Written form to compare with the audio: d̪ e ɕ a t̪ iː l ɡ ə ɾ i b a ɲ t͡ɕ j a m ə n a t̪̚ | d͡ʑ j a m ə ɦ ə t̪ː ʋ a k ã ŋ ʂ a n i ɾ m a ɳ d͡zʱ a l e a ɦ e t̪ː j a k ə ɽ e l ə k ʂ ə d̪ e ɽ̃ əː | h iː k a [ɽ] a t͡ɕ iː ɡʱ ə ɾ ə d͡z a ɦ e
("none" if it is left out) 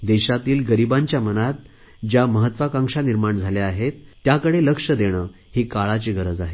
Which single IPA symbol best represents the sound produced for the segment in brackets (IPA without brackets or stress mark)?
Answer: ɭ